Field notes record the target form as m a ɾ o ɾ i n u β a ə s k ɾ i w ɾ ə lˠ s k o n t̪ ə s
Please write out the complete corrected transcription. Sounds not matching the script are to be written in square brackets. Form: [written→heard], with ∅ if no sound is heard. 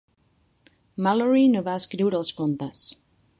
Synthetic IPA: m a [ɾ→l] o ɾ i n [u→o] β a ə s k ɾ i w ɾ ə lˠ s k o n t̪ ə s